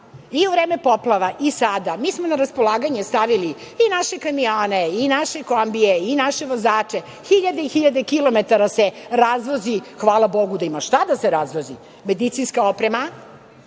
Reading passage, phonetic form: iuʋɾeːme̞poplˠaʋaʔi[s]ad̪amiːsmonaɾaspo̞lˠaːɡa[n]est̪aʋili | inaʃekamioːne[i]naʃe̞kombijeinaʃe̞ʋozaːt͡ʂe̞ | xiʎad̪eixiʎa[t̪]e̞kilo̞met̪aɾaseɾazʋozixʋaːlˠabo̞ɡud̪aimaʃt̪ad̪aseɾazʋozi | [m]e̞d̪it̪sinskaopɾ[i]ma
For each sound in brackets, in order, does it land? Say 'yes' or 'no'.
yes, no, yes, no, yes, no

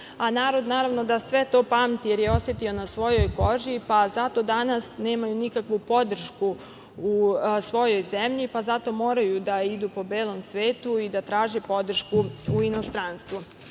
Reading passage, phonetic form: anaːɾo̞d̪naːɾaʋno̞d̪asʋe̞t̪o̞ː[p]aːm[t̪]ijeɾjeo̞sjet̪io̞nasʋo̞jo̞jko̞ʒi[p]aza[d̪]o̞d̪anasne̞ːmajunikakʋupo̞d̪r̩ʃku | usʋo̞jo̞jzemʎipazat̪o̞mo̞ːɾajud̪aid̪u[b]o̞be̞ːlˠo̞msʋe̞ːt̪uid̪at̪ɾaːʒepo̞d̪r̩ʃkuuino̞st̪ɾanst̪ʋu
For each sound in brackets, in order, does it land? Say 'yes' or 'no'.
yes, yes, yes, no, no

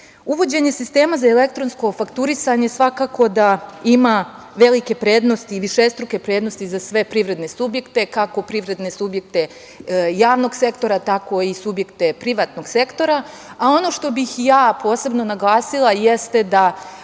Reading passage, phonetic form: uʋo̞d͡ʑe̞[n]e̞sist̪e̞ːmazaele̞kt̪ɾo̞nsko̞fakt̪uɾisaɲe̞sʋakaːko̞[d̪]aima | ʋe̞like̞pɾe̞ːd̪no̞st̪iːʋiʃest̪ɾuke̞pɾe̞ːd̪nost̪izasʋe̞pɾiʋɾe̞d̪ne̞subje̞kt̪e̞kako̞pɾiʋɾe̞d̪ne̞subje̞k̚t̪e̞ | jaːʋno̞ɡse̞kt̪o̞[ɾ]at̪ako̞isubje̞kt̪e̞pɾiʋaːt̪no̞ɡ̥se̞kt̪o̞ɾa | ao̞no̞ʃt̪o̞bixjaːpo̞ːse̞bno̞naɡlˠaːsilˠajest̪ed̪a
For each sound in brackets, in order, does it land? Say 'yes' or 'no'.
no, yes, yes

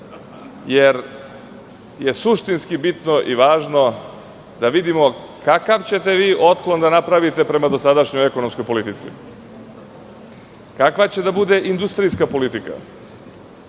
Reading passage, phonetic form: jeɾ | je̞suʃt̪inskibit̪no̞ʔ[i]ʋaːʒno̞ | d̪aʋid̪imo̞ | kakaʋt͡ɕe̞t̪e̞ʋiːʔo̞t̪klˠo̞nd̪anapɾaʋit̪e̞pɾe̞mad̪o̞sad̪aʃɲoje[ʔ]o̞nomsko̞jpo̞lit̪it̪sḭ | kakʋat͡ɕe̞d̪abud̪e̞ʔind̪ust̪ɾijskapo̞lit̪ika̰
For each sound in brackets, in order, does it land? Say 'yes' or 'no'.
yes, no

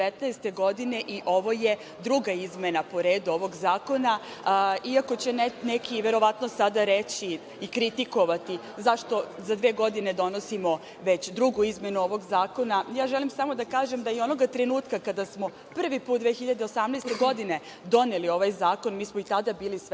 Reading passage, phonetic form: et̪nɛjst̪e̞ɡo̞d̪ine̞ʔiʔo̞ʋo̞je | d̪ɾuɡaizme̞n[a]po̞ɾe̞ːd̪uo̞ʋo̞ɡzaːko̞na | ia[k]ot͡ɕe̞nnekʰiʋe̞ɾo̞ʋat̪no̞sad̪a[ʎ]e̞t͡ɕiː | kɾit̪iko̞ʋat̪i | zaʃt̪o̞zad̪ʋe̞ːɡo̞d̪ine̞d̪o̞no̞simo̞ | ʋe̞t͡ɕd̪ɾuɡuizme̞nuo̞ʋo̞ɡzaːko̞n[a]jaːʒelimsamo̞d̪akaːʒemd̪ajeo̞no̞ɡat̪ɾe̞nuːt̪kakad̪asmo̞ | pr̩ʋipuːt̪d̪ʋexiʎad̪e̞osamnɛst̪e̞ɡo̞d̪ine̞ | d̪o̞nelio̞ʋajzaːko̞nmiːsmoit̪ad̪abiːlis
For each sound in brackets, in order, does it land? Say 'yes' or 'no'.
yes, yes, no, yes

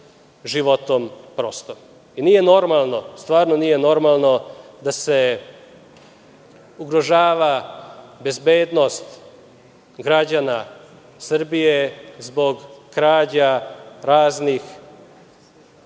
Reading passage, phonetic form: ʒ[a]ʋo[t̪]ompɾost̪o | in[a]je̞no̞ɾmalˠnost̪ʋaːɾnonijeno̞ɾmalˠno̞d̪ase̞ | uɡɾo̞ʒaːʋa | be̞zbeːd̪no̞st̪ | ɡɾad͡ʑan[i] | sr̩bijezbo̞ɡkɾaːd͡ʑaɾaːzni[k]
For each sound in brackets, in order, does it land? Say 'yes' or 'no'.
no, yes, no, no, no

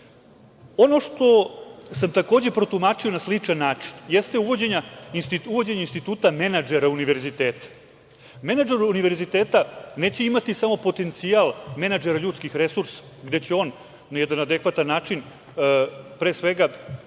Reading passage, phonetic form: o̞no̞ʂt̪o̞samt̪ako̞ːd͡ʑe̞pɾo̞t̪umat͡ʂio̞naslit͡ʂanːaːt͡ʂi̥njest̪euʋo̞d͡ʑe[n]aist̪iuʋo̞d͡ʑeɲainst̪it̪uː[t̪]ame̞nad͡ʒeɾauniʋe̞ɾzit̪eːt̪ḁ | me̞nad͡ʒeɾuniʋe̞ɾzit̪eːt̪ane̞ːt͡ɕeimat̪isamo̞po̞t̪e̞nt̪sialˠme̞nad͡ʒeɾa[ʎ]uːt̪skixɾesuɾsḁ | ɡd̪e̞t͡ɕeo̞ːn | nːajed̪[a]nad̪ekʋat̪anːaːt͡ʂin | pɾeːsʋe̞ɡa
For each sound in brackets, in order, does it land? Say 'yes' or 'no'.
no, yes, yes, yes

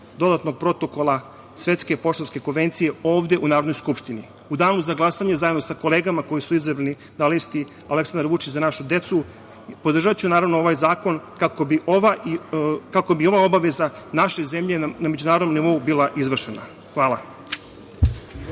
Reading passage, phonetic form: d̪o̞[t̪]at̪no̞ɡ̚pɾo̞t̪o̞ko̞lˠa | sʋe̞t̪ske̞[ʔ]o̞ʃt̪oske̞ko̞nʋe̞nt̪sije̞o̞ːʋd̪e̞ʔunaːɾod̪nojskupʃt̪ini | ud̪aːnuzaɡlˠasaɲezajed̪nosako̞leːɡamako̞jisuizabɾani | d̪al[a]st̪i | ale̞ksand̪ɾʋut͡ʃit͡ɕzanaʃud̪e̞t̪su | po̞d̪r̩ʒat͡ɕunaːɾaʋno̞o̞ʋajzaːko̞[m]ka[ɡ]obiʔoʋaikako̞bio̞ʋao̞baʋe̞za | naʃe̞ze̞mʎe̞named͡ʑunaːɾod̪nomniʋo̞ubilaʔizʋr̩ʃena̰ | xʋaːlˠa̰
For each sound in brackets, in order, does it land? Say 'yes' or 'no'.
no, no, no, no, no

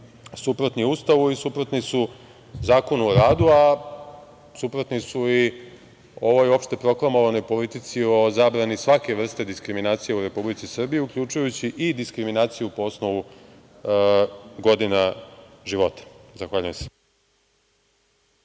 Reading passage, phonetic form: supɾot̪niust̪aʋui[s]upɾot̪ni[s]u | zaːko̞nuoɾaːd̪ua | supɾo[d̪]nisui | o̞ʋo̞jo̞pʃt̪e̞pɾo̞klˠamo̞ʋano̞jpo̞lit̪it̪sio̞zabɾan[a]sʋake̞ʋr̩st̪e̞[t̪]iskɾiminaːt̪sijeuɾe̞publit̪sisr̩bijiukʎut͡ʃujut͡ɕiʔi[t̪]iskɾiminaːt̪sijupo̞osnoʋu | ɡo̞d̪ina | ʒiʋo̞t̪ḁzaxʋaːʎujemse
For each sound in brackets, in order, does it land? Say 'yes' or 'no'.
yes, yes, no, no, no, no

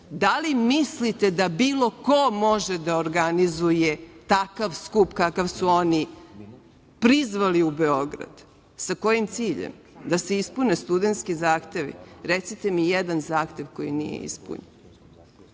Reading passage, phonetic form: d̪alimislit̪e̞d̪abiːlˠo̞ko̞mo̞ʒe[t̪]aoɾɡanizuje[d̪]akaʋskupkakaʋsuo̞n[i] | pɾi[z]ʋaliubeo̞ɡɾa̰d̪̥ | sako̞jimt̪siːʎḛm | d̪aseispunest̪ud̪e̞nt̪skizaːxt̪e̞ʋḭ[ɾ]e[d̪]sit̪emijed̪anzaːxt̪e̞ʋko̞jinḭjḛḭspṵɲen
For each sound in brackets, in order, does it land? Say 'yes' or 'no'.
no, no, yes, yes, yes, no

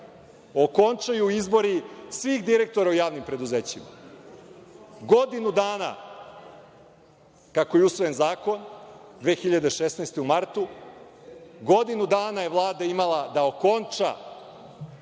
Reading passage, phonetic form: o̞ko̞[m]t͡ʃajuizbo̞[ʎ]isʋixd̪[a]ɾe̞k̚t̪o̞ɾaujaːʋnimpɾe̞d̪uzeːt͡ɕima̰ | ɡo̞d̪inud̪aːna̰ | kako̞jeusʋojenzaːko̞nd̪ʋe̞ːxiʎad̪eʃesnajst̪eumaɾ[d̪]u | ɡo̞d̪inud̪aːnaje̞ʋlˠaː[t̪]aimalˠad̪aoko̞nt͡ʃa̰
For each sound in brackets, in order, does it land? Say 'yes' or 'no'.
no, no, no, no, no

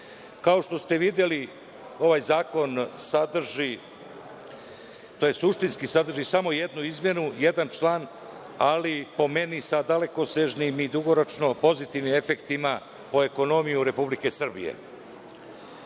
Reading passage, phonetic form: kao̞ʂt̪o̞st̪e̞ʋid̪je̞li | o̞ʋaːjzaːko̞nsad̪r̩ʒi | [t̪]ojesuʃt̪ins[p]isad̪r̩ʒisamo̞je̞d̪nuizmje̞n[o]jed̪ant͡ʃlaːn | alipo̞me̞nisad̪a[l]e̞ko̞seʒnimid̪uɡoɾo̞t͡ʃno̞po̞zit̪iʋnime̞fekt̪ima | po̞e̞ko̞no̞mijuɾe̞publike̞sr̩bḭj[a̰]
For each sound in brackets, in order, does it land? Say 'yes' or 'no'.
yes, no, no, yes, no

